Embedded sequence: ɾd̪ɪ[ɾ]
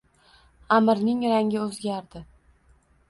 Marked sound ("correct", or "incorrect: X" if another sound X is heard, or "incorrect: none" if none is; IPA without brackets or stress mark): incorrect: none